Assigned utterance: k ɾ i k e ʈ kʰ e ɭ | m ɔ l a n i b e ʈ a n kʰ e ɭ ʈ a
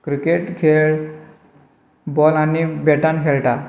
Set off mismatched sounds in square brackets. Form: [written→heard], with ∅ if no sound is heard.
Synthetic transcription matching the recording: k ɾ i k e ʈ kʰ e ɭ | [m→b] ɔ l a n i b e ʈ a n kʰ e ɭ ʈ a